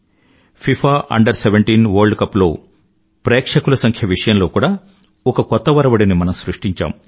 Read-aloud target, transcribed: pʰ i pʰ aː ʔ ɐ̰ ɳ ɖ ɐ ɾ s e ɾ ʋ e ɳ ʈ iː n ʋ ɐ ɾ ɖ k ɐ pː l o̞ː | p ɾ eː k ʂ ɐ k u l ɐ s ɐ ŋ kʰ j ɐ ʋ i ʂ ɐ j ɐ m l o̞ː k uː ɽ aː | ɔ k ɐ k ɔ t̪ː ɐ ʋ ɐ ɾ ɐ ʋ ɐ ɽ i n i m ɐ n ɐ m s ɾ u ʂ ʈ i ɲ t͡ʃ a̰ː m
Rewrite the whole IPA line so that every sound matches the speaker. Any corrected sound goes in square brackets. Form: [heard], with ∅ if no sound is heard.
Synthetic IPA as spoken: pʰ i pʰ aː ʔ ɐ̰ ɳ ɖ ɐ ɾ s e [∅] ʋ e ɳ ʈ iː n ʋ ɐ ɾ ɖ k ɐ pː l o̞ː | p ɾ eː k ʂ ɐ k u l ɐ s ɐ ŋ kʰ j ɐ ʋ i ʂ ɐ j ɐ m l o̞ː k uː ɽ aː | ɔ k ɐ k ɔ t̪ː ɐ ʋ ɐ ɾ ɐ ʋ ɐ ɽ i n i m ɐ n ɐ m s ɾ u ʂ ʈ i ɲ t͡ʃ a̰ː m

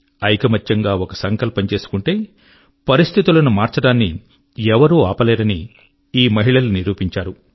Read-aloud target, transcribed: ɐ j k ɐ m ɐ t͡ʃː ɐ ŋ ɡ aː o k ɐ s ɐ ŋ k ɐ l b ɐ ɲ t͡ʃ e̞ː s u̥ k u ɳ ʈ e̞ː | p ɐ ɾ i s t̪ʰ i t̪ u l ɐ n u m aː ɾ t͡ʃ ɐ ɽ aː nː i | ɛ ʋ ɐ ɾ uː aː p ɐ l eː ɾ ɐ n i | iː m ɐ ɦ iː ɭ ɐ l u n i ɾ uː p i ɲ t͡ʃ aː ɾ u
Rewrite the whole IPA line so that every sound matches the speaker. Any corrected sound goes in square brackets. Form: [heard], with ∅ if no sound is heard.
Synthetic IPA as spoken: ɐ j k ɐ m ɐ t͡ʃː ɐ ŋ ɡ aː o k ɐ s ɐ ŋ k ɐ l [p] ɐ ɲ t͡ʃ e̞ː s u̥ k u ɳ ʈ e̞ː | p ɐ ɾ i s t̪ʰ i t̪ u l ɐ n u m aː ɾ t͡ʃ ɐ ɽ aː nː i | ɛ ʋ ɐ ɾ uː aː p ɐ l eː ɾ ɐ n i | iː m ɐ ɦ [i] ɭ ɐ l u n i ɾ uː p i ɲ t͡ʃ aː ɾ u

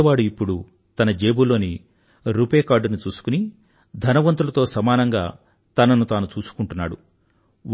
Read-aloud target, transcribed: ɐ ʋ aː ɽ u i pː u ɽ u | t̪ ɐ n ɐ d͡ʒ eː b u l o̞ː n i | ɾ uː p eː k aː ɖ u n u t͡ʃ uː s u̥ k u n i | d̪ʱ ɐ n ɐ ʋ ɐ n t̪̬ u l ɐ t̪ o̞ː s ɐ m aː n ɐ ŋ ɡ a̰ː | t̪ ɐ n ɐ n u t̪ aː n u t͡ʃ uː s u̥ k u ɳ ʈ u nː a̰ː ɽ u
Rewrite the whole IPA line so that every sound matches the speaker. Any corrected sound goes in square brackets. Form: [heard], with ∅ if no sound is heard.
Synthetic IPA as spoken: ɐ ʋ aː ɽ u i pː u ɽ u | t̪ ɐ n ɐ d͡ʒ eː b u l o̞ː n i | ɾ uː p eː k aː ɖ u n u t͡ʃ uː s u̥ k u n i | d̪ʱ ɐ n ɐ ʋ ɐ n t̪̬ u l ɐ t̪ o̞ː s ɐ m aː n ɐ ŋ ɡ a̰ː | t̪ ɐ n ɐ n u t̪ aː n u t͡ʃ uː s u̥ k u ɳ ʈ u nː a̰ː ɽ u

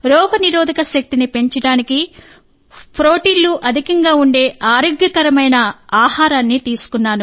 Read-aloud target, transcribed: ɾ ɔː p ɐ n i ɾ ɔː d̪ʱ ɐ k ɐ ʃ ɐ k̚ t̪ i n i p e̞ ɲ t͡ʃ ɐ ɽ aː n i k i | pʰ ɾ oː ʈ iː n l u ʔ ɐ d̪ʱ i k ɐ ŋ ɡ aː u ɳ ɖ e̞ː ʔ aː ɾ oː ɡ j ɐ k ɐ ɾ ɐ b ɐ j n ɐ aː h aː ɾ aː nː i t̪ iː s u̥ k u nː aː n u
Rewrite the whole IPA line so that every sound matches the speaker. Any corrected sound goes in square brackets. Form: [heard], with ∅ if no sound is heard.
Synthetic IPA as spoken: ɾ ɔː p ɐ n i ɾ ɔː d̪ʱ ɐ k ɐ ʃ ɐ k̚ t̪ i n i p e̞ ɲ t͡ʃ ɐ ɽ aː n i k i | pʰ ɾ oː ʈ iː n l u ʔ ɐ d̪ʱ i k ɐ ŋ ɡ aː u ɳ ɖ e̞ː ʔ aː ɾ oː ɡ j ɐ k ɐ ɾ ɐ [m] ɐ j n ɐ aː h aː ɾ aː nː i t̪ iː s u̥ k u nː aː n u

